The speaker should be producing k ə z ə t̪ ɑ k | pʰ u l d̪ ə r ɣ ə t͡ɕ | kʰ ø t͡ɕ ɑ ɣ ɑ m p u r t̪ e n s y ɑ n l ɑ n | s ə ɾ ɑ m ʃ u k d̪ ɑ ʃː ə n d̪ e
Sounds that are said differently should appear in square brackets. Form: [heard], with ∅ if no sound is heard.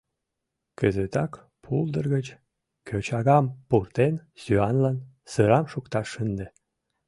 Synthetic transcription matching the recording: k ə z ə t̪ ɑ k | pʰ u l d̪ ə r ɣ ə t͡ɕ | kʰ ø t͡ɕ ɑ ɣ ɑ m p u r t̪ e n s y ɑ n l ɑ n | s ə ɾ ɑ m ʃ u k [t̪] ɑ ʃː ə n d̪ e